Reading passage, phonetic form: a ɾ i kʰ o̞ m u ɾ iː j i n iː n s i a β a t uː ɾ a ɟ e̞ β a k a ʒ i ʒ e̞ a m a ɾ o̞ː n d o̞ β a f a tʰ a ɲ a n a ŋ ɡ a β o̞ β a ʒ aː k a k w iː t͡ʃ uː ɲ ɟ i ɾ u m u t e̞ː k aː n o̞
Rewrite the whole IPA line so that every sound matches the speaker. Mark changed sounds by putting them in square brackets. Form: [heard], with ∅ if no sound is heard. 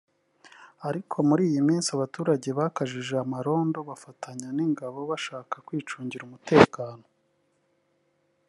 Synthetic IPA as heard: a ɾ i kʰ o̞ m u ɾ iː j i [m] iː n s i a β a t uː ɾ a ɟ e̞ β a k a ʒ i ʒ e̞ a m a ɾ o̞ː n d o̞ β a f a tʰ a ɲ a n [i] ŋ ɡ a β o̞ β a [ʃ] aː k a k w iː t͡ʃ uː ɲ ɟ i ɾ u m u t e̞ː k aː n o̞